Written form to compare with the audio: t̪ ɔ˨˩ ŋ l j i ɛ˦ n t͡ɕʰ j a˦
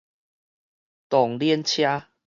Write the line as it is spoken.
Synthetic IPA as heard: t̪ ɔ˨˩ ŋ l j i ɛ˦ n t͡ɕʰ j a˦